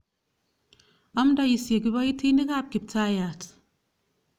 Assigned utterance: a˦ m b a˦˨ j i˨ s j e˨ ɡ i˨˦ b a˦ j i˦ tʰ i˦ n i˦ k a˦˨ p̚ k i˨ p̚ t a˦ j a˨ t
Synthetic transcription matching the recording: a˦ m d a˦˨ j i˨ s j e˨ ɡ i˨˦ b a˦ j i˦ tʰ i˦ n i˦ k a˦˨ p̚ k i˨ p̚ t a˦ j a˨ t